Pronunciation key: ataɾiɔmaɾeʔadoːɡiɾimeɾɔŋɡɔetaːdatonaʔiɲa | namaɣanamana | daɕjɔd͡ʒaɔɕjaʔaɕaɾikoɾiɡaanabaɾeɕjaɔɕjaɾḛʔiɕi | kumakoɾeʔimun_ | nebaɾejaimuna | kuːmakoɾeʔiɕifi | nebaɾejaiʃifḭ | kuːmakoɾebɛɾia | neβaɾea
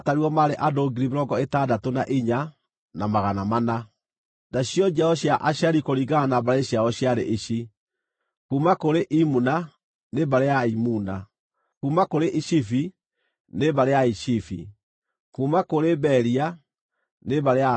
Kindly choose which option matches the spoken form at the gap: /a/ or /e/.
a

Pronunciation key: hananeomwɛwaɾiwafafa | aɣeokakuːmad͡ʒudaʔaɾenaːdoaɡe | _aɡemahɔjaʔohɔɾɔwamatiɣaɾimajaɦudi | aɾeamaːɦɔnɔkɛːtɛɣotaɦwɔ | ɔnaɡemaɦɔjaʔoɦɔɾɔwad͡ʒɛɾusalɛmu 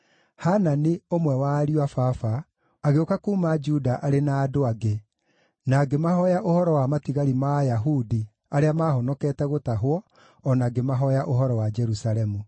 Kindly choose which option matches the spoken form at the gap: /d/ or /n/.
n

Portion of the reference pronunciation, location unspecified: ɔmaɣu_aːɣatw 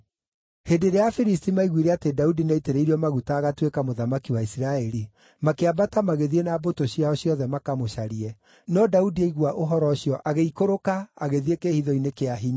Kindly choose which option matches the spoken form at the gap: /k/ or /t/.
t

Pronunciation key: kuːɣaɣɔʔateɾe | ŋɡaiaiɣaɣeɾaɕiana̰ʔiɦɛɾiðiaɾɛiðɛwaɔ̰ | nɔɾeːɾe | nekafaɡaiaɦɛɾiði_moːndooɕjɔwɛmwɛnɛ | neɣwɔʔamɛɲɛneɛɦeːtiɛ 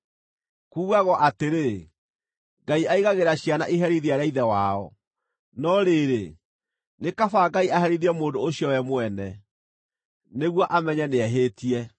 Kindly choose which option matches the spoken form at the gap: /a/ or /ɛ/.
ɛ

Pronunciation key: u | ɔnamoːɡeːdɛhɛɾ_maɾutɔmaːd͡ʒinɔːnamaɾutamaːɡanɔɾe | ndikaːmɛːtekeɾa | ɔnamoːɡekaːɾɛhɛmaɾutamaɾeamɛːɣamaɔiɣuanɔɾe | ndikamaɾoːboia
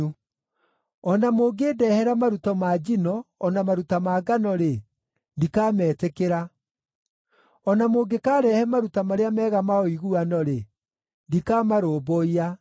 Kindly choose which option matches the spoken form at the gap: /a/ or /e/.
a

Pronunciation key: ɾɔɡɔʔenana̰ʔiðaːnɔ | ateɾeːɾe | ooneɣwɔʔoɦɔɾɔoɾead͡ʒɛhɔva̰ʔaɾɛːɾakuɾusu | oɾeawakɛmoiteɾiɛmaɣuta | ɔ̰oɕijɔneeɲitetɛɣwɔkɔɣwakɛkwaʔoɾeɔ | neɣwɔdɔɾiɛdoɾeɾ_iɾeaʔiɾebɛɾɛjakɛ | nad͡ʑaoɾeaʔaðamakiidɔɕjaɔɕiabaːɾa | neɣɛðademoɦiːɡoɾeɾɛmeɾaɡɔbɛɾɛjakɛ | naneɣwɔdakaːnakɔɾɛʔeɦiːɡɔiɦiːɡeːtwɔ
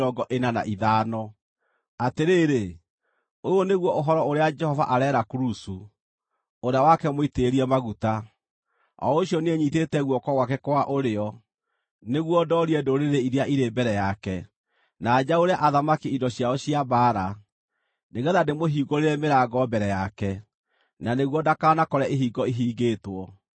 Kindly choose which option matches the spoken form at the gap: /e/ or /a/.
e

